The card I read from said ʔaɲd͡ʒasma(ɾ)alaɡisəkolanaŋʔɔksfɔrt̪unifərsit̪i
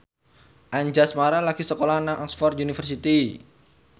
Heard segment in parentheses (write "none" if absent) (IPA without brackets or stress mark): ɾ